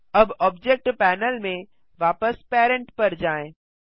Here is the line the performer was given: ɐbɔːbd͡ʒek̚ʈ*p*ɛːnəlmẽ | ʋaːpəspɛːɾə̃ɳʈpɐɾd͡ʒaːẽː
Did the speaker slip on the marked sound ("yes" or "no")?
no